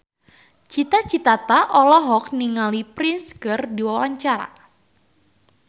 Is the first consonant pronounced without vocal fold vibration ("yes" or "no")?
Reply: yes